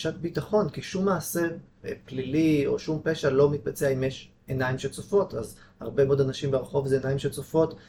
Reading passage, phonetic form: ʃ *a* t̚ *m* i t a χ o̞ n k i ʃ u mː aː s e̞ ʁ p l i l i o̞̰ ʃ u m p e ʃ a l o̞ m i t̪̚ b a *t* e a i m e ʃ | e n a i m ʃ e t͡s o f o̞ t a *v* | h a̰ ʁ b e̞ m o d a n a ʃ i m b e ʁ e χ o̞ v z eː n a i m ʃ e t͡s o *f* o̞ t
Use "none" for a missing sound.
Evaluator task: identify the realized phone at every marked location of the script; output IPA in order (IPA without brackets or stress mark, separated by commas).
a, b, t͡s, z, f